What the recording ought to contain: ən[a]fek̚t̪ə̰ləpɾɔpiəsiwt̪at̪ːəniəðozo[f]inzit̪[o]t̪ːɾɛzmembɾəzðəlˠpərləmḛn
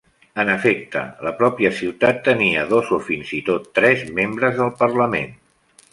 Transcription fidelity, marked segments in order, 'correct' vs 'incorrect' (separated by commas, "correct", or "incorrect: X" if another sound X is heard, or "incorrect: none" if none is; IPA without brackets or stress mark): incorrect: ə, correct, correct